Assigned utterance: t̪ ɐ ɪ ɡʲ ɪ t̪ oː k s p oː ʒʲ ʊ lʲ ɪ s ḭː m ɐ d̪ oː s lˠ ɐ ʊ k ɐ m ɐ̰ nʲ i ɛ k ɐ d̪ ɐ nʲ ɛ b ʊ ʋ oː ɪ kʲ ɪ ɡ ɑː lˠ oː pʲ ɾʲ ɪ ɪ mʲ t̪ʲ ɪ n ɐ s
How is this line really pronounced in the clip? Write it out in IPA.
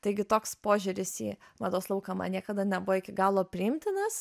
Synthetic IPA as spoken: t̪ ɐ ɪ ɡʲ ɪ t̪ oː k s p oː ʒʲ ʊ ɾʲ ɪ s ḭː m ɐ d̪ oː s lˠ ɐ ʊ k ɐ m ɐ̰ nʲ i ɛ k ɐ d̪ ɐ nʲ ɛ b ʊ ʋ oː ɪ kʲ ɪ ɡ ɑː lˠ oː pʲ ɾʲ ɪ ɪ mʲ t̪ʲ ɪ n ɐ s

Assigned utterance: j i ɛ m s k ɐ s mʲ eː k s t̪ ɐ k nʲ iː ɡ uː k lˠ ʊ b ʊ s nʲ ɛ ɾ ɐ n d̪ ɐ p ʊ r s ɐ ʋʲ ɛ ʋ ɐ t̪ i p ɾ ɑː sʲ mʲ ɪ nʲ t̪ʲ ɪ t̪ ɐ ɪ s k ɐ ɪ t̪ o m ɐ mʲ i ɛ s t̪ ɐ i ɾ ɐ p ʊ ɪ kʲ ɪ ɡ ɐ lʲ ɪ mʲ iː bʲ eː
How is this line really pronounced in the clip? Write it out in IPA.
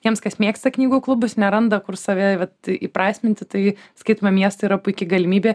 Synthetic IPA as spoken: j i ɛ m s k ɐ s mʲ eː k s t̪ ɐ k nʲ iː ɡ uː k lˠ ʊ b ʊ s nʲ ɛ ɾ ɐ n d̪ ɐ k ʊ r s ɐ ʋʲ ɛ ʋ ɐ t̪ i p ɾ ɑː sʲ mʲ ɪ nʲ t̪ʲ ɪ t̪ ɐ ɪ s k ɐ ɪ t̪ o m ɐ mʲ i ɛ s t̪ ɐ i ɾ ɐ p ʊ ɪ kʲ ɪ ɡ ɐ lʲ ɪ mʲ iː bʲ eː

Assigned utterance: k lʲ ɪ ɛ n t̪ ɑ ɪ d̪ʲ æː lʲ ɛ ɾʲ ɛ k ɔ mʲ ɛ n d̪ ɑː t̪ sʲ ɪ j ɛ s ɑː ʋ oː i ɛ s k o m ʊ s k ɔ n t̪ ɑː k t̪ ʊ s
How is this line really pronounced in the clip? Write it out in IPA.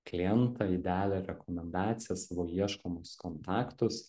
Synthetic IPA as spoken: k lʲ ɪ ɛ n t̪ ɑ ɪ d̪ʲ æː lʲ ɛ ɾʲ ɛ k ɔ mʲ ɛ n d̪ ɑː t̪ sʲ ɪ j ɛ s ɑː ʋ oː i ɛ ʃ k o m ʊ s k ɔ n t̪ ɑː k t̪ ʊ s

